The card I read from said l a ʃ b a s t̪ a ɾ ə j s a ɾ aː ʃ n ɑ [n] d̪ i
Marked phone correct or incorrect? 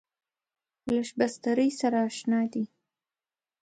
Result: incorrect